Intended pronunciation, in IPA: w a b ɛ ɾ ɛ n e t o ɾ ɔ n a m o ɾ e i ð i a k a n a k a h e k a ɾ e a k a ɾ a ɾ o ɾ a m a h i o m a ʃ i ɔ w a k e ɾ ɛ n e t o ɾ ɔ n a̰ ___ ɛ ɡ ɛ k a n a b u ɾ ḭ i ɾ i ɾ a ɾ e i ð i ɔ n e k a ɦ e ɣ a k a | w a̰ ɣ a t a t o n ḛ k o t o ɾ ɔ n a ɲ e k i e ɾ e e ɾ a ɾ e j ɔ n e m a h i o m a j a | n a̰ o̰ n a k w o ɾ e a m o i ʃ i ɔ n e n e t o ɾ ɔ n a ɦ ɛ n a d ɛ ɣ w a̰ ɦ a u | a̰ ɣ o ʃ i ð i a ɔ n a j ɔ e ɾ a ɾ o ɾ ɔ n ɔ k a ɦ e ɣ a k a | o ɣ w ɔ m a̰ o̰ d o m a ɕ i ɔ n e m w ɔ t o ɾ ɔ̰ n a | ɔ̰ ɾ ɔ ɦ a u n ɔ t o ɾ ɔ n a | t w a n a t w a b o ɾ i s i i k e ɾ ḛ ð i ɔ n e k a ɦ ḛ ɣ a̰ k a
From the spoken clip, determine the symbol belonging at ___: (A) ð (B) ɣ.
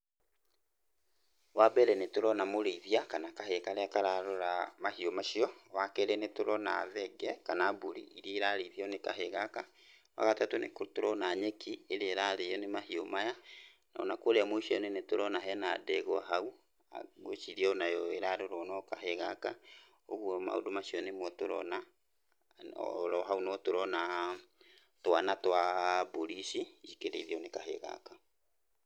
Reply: A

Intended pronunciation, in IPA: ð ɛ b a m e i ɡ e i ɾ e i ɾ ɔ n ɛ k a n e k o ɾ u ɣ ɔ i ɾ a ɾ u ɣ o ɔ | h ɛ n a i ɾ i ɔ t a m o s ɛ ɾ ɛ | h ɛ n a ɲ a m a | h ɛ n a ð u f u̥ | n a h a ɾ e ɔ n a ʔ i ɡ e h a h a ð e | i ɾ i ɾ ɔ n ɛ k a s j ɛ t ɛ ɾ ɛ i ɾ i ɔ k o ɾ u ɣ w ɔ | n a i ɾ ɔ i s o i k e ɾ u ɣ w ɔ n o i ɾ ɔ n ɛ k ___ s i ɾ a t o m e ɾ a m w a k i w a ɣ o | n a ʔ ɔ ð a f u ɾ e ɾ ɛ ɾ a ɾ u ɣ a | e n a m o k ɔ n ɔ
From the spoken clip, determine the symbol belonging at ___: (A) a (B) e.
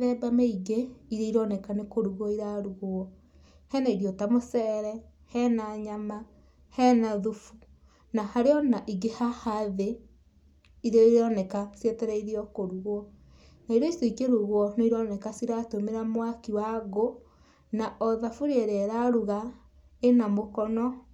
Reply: A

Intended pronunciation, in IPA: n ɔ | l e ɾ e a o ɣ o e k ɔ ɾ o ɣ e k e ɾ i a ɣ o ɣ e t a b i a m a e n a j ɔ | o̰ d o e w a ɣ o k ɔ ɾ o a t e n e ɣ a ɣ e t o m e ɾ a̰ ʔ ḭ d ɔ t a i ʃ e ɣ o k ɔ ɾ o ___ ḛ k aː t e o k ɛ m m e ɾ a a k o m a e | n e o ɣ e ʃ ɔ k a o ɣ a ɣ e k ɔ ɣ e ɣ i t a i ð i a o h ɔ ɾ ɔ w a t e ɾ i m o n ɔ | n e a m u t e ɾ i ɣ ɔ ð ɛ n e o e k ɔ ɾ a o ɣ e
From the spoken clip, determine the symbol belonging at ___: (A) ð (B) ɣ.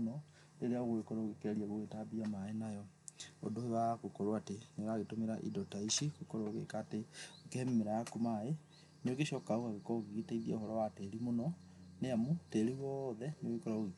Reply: B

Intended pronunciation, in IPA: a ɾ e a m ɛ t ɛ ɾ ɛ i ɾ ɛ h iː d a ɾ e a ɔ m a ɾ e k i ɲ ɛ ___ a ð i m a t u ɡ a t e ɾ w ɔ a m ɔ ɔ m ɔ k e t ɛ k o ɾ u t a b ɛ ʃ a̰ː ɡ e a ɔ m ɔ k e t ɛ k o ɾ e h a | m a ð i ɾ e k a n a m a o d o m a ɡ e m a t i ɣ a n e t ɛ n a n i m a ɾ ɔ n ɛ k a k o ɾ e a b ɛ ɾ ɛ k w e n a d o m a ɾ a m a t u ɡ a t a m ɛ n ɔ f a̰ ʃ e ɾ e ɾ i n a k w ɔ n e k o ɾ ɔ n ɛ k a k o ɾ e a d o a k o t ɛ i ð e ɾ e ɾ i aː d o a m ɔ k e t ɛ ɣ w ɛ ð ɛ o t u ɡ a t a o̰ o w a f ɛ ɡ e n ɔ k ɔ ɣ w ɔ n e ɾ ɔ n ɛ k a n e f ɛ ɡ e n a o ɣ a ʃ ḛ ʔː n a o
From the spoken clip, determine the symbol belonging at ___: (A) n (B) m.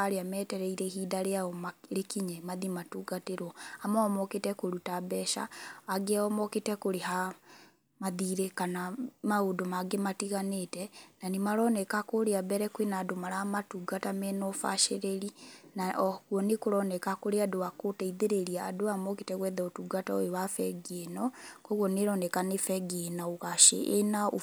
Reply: B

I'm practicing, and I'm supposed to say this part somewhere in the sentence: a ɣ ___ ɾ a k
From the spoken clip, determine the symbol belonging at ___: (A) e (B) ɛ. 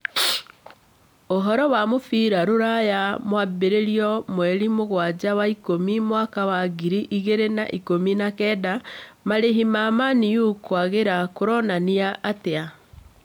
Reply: A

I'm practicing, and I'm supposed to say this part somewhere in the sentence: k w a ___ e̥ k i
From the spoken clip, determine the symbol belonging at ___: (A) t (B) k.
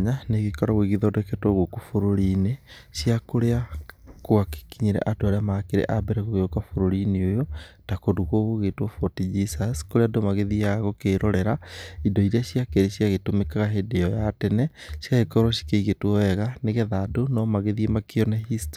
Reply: B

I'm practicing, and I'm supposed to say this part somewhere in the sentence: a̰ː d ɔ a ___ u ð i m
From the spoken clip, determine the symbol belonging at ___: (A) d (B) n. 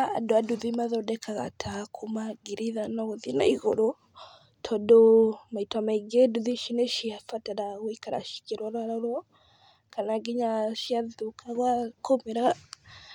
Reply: A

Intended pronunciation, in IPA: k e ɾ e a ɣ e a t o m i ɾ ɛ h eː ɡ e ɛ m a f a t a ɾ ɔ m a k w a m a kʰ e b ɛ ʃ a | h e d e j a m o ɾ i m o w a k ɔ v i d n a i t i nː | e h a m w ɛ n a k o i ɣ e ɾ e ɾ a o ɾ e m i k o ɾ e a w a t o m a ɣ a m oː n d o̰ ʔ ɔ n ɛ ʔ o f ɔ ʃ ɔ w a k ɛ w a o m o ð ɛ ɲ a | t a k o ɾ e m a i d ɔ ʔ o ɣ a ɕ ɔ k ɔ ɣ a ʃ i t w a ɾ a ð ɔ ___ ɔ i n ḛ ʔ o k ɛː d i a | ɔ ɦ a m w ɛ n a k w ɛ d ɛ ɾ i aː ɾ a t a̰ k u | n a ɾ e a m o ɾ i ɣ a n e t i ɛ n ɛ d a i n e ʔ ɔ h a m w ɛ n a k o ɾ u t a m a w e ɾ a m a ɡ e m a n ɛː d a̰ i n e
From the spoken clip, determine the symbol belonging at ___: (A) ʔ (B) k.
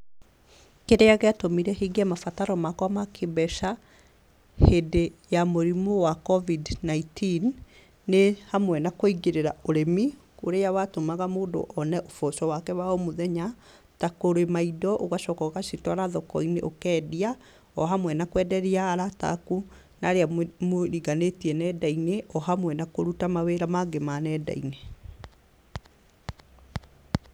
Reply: B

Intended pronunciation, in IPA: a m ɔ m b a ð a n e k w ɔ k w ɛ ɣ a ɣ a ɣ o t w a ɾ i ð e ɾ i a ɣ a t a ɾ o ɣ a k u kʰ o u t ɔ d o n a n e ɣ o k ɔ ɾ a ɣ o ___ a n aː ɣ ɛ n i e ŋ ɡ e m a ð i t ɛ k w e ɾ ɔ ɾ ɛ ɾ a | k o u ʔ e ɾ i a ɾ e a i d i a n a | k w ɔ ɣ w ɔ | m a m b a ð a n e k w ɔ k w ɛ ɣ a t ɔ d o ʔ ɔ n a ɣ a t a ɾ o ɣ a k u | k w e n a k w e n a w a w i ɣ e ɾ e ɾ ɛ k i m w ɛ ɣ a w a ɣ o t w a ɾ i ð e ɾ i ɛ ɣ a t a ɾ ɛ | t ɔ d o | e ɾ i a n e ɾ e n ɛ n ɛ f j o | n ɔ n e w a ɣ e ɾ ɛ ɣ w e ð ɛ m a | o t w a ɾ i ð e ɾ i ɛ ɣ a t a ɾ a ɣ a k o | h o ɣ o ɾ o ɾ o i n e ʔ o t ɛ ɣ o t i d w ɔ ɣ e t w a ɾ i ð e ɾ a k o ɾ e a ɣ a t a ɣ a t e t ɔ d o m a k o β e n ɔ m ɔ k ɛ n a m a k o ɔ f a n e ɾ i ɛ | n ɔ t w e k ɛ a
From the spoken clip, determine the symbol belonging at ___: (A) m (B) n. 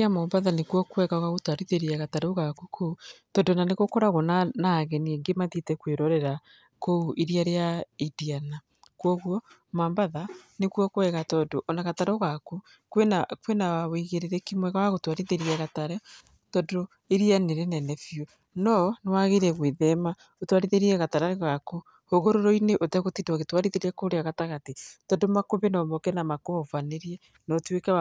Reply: B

